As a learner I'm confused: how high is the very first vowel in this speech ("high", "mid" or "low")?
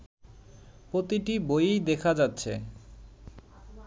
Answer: mid